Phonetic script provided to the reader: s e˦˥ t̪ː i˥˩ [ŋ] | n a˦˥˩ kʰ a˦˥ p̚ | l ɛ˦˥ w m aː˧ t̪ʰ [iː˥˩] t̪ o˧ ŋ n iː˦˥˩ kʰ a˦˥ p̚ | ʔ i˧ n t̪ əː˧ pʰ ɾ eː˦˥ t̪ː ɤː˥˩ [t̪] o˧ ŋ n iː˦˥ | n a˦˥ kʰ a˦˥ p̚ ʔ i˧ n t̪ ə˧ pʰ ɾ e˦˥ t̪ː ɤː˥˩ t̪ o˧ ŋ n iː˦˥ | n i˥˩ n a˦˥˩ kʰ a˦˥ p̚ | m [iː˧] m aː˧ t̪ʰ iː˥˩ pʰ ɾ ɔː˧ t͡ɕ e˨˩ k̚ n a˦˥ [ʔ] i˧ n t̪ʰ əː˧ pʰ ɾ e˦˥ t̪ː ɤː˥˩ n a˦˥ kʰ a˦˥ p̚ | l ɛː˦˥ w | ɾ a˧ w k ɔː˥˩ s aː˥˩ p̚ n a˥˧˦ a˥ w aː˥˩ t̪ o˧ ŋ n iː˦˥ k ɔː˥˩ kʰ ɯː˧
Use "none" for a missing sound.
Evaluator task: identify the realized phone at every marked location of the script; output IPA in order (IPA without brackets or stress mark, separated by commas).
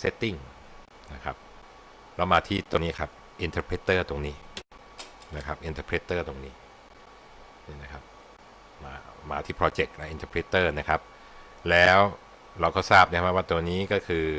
ŋ, iː˥˩, t̪, aː˧, ʔ